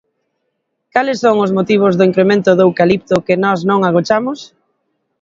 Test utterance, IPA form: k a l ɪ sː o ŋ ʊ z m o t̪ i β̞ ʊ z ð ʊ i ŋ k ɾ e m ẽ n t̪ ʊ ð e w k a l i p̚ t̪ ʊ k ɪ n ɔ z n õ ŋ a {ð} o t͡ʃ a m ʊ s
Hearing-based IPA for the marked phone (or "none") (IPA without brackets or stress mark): ɣ